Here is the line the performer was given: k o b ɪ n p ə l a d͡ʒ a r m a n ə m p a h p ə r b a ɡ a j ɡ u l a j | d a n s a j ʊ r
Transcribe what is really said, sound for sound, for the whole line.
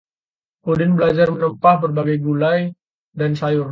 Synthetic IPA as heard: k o d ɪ n b ə l a d͡ʒ a r m ə n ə m p a h b ə r b a ɡ a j ɡ u l a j | d a n s a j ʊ r

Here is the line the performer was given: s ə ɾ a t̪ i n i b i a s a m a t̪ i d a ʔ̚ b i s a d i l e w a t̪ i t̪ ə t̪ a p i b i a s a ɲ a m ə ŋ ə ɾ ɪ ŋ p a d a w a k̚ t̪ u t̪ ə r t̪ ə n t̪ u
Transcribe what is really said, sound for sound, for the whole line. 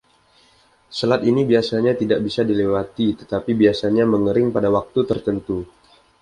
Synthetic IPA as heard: s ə l a t̪ i n i b i a s a ɲ a t̪ i d a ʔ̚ b i s a d i l e w a t̪ i t̪ ə t̪ a p i b i a s a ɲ a m ə ŋ ə ɾ ɪ ŋ p a d a w a k̚ t̪ u t̪ ə r t̪ ə n t̪ u

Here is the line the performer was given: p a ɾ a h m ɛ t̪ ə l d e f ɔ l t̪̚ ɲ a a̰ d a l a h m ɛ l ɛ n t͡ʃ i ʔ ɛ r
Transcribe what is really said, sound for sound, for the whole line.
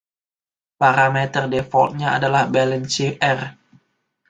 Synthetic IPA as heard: p a ɾ a m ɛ t̪ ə r d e f ɔ l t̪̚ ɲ a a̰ d a l a h b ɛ l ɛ n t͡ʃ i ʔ ɛ r

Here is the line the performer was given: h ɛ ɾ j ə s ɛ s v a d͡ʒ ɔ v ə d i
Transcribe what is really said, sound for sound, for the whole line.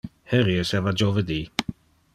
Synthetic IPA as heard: h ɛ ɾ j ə s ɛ v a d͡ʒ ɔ v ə d i

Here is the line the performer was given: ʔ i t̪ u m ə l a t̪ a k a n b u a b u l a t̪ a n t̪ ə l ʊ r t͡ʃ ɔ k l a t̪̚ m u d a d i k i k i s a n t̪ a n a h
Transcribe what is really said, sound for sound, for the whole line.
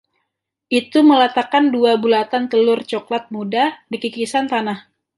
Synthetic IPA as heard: ʔ i t̪ u m ə l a t̪ a k a n d u a b u l a t̪ a n t̪ ə l ʊ r t͡ʃ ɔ k l a t̪̚ m u d a d i k i k i s a n t̪ a n a h

